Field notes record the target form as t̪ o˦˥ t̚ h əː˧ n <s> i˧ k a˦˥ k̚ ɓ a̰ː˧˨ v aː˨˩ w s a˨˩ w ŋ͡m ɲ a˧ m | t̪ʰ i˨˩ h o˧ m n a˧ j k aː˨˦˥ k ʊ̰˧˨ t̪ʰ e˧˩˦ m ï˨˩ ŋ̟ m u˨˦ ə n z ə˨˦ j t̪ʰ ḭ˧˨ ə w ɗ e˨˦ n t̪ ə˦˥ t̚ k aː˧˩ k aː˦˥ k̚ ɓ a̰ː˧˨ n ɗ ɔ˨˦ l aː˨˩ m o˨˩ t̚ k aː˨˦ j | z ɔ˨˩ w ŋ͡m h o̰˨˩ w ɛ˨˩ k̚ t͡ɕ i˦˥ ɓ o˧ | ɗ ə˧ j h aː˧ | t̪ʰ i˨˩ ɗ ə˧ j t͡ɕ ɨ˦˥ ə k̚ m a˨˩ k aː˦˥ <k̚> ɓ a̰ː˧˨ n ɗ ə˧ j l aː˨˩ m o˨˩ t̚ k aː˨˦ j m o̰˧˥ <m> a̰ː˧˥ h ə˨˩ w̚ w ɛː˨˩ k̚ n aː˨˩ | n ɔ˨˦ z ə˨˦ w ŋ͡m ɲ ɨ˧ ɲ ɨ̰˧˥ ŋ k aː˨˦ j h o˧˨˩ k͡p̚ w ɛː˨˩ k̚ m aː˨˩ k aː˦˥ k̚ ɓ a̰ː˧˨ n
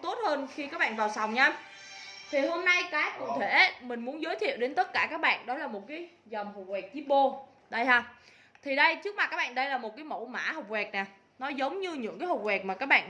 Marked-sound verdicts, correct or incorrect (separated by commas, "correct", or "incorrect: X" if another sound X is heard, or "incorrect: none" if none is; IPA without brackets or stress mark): incorrect: x, correct, correct